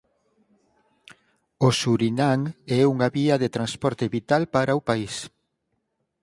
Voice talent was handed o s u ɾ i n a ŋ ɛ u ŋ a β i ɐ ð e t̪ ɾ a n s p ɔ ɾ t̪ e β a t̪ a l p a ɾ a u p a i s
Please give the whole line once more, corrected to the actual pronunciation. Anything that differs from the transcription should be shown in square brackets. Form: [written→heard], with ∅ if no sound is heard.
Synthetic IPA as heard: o s u ɾ i n a ŋ ɛ u ŋ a β i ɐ ð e t̪ ɾ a n s p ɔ ɾ t̪ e β [a→i] t̪ a l p a ɾ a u p a i s

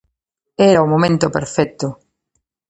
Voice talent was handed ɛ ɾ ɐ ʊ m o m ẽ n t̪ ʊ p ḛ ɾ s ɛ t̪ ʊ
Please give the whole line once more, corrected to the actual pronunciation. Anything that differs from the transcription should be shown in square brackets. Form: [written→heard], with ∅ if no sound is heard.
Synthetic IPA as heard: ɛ ɾ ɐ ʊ m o m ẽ n t̪ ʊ p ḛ ɾ [s→f] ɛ t̪ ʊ

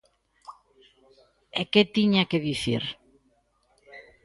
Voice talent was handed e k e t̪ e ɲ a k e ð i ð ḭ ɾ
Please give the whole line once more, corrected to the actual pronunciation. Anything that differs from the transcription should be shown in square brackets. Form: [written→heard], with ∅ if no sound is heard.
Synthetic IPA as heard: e k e t̪ [e→i] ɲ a k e ð i [ð→θ] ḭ ɾ

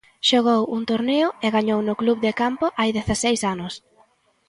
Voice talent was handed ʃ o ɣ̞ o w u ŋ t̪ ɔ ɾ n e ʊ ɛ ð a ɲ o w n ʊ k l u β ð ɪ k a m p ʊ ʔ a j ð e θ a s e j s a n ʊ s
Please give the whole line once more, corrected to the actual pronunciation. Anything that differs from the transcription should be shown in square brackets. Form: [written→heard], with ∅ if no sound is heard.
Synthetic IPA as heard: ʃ o ɣ̞ o w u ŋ t̪ [ɔ→o] ɾ n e ʊ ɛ [ð→ɣ] a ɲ o w n ʊ k l u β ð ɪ k a m p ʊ ʔ a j ð e θ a s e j s a n ʊ s

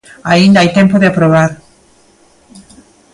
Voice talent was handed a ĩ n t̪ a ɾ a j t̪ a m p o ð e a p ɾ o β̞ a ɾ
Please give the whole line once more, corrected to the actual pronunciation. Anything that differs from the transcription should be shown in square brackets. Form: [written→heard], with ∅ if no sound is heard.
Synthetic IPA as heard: a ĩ n [t̪→d̪] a [ɾ→∅] a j t̪ [a→e] m p o ð e a p ɾ o β̞ a ɾ

